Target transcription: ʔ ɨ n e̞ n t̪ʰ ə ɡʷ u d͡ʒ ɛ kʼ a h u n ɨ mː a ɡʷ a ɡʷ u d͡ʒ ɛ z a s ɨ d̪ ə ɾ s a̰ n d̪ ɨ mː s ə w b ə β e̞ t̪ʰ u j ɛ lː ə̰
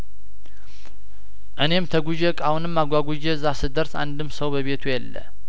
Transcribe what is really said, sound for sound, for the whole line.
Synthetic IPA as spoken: ʔ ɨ n e̞ m t̪ʰ ə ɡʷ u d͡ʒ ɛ kʼ a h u n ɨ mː a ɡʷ a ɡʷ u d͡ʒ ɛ z a s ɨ d̪ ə ɾ s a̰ n d̪ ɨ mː s ə w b ə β e̞ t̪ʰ u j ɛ lː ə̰